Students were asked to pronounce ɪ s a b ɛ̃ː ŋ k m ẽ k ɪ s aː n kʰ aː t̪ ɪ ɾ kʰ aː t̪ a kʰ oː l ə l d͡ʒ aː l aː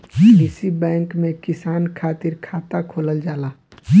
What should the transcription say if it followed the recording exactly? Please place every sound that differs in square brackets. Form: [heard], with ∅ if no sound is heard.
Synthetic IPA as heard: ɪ s [i] b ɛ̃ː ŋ k m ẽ k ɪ s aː n kʰ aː t̪ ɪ ɾ kʰ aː t̪ a kʰ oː l ə l d͡ʒ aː l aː